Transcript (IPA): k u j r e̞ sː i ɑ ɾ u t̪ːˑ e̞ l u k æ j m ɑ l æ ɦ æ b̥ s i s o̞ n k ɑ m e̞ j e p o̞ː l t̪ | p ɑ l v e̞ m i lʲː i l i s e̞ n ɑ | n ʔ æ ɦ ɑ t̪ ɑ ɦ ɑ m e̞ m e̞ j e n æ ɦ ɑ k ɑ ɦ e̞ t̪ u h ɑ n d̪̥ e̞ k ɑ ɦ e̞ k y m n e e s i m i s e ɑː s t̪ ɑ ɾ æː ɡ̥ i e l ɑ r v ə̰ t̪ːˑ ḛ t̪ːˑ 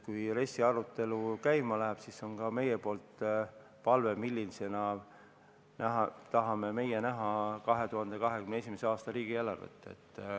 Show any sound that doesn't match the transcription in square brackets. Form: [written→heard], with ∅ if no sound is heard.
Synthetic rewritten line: k u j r e̞ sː i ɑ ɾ u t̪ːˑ e̞ l u k æ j m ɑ l æ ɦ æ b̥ s i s o̞ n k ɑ m e̞ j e p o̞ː l t̪ | p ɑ l v e̞ m i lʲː i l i s e̞ n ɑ | n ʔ æ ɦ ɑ t̪ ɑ ɦ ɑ m e̞ m e̞ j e n æ ɦ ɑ k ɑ ɦ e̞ t̪ u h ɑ n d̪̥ e̞ k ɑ ɦ e̞ k y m n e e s i m [i→e] s e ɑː s t̪ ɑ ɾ [æː→iː] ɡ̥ i e l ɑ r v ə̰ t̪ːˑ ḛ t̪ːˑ